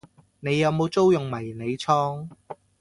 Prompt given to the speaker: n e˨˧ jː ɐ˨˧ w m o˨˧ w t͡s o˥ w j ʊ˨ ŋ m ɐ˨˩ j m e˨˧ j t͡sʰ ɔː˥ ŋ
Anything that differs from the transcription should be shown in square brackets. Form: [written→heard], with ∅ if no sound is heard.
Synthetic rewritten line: n e˨˧ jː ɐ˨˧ w m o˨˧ w t͡s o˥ w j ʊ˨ ŋ m ɐ˨˩ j [m→n] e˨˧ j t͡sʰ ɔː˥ ŋ